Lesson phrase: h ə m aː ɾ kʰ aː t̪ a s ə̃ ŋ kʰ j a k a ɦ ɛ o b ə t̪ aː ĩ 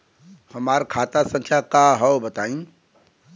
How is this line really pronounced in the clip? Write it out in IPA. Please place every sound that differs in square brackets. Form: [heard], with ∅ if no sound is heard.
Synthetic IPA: h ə m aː ɾ kʰ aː t̪ a s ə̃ ŋ kʰ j a k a ɦ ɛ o b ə t̪ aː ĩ